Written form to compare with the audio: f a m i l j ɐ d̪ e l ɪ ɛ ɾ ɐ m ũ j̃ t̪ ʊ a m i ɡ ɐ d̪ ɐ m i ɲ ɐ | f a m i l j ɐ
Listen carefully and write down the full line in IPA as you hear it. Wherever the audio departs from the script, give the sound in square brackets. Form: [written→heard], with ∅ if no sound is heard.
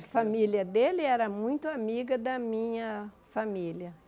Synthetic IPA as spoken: f a m i l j ɐ d̪ e l ɪ ɛ ɾ ɐ m ũ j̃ t̪ ʊ a m i ɡ ɐ d̪ ɐ m [i→ĩ] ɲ ɐ | f a m i l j ɐ